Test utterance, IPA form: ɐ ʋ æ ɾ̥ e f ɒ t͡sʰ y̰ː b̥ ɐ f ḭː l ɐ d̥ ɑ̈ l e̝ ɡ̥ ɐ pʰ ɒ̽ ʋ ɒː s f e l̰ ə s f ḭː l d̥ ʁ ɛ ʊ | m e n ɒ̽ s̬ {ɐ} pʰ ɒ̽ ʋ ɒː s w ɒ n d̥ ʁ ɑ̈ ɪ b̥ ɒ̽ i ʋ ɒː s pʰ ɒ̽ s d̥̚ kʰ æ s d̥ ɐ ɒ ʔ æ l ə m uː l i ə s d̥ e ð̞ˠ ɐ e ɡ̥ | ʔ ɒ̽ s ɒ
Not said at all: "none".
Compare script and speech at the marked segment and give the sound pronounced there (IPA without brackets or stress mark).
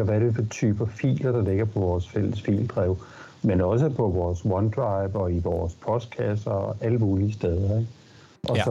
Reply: ə